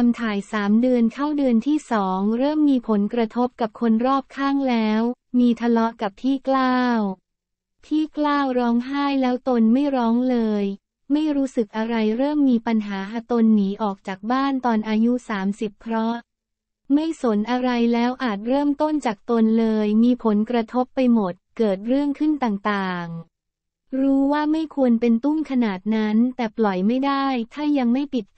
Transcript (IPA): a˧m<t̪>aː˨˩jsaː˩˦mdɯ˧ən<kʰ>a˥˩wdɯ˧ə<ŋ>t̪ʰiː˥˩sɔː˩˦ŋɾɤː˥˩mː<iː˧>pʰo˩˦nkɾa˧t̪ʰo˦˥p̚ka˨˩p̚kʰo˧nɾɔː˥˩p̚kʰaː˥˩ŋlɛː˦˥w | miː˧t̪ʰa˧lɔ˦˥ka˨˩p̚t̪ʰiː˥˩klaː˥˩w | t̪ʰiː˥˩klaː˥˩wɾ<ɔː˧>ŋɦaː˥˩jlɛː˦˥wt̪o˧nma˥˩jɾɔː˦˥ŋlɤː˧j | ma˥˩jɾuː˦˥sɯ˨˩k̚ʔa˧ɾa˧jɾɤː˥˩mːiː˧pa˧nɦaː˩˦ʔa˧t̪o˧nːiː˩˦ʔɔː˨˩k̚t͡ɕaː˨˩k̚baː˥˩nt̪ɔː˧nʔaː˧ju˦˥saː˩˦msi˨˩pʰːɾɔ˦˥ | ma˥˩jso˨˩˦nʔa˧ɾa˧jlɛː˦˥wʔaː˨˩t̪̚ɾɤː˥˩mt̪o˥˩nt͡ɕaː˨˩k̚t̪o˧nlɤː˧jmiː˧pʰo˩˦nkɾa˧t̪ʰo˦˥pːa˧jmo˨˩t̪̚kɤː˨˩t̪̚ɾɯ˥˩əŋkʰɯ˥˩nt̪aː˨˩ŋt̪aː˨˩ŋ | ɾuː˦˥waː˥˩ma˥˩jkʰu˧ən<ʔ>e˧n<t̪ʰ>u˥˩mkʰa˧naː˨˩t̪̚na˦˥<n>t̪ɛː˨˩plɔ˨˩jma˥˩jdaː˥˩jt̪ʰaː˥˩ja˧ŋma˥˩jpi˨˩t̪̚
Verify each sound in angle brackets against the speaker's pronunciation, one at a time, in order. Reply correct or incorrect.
incorrect: t̪ʰ, correct, incorrect: n, correct, incorrect: ɔː˦˥, incorrect: p, incorrect: t̪, correct

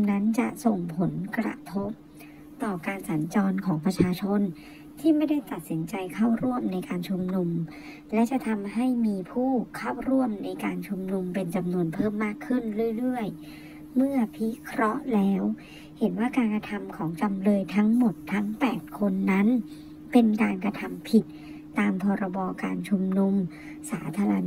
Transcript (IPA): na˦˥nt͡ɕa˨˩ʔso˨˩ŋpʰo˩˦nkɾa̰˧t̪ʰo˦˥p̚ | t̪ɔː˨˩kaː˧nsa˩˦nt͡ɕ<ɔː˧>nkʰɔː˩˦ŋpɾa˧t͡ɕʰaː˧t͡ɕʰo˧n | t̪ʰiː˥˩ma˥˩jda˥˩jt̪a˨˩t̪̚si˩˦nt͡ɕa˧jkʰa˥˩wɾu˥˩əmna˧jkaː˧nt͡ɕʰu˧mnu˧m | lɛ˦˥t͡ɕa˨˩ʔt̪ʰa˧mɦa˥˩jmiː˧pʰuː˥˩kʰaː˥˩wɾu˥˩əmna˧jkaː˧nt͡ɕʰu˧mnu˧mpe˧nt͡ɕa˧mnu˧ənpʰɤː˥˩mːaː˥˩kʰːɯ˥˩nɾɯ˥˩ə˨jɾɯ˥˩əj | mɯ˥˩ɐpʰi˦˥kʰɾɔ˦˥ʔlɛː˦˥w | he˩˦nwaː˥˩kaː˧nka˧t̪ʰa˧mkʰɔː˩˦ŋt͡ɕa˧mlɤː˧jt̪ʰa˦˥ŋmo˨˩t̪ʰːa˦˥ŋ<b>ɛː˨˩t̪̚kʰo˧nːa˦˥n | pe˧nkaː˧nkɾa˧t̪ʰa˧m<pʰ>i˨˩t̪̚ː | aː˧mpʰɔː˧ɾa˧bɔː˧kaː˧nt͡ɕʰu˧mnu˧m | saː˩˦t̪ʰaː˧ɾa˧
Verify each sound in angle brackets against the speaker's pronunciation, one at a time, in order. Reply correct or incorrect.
correct, incorrect: p, correct

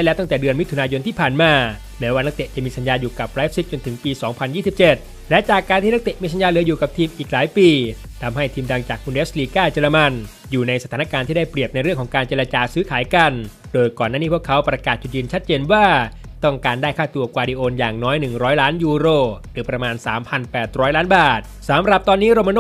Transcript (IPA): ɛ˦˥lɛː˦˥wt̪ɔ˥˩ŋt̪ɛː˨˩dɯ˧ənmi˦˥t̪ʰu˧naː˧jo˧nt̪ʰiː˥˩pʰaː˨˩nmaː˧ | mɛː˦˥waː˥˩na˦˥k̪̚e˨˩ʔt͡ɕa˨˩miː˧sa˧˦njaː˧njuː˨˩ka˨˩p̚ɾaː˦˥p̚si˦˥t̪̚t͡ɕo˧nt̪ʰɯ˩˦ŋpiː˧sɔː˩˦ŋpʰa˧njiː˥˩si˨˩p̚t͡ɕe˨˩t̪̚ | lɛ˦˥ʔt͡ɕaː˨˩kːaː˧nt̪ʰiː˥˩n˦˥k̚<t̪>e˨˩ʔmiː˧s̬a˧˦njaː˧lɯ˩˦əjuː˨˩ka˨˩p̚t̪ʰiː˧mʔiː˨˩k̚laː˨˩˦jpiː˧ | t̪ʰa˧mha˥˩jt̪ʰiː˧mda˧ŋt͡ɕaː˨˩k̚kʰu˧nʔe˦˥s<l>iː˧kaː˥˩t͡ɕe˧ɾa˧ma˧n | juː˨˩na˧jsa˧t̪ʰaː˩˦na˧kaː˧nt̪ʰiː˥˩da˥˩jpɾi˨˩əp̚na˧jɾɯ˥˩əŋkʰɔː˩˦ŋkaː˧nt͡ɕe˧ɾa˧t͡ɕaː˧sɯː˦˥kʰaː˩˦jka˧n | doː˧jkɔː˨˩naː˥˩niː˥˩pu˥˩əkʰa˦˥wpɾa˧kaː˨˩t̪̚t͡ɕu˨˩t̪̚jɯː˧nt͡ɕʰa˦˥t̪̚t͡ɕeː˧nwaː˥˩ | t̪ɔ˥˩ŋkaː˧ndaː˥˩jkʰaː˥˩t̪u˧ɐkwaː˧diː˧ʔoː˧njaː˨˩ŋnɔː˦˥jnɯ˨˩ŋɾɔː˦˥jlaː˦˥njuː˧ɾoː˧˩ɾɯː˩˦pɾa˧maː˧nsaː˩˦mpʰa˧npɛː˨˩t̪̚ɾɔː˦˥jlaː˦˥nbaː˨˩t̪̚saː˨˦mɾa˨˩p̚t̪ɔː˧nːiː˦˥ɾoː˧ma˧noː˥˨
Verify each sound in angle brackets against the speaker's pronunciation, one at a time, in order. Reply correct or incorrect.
correct, correct

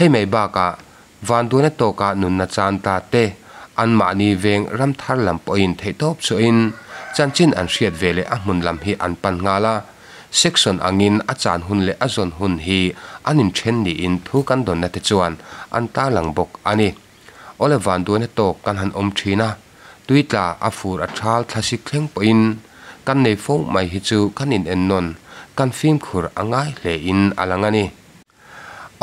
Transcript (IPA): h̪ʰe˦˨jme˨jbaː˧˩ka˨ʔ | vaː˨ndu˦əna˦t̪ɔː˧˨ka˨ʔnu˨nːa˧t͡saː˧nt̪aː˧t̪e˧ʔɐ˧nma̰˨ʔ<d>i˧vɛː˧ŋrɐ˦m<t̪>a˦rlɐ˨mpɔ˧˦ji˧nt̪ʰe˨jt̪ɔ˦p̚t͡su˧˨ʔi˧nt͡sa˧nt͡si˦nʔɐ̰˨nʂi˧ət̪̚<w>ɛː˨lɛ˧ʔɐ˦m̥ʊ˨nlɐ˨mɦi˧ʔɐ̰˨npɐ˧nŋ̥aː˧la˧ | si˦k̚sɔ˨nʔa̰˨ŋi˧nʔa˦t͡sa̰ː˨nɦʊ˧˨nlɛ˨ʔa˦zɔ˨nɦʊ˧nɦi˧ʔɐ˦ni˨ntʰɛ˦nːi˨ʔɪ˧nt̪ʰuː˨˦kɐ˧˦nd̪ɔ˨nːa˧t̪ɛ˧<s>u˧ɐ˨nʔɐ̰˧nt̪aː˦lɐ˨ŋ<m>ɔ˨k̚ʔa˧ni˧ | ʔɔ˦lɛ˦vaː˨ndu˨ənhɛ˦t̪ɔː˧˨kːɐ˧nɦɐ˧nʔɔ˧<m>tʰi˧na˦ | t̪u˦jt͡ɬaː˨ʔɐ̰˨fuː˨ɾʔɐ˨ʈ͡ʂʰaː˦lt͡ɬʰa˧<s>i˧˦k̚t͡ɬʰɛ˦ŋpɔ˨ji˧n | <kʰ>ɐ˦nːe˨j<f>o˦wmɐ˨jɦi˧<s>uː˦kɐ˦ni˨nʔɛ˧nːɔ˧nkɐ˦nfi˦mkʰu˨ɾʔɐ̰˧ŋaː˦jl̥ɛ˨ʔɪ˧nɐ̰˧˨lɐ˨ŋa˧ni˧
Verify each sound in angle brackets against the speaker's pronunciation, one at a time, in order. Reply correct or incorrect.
incorrect: n, incorrect: t̪ʰ, incorrect: v, incorrect: t͡s, incorrect: b, correct, correct, incorrect: k, correct, incorrect: t͡s

